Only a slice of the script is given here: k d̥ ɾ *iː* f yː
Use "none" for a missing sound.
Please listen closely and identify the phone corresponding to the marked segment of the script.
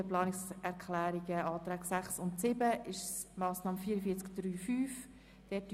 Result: yː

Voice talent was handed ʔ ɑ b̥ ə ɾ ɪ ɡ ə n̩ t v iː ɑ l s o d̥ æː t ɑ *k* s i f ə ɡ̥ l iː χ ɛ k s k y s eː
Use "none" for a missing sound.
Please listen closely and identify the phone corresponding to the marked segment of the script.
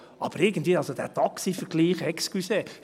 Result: k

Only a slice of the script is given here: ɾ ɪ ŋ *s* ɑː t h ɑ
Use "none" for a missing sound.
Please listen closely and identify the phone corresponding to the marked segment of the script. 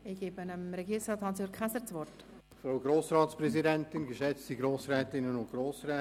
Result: s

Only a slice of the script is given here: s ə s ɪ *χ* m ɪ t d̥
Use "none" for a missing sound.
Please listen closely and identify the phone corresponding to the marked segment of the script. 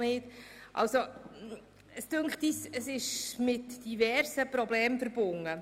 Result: ʃ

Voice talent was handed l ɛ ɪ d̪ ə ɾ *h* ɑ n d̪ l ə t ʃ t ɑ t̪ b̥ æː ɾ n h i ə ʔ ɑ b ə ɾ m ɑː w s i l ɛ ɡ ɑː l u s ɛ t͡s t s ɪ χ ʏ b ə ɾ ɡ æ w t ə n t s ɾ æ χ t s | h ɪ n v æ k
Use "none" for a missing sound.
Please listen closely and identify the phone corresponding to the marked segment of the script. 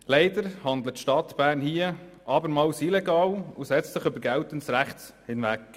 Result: h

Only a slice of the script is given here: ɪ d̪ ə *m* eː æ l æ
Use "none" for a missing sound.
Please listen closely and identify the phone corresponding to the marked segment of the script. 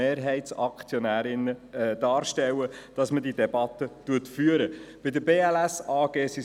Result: b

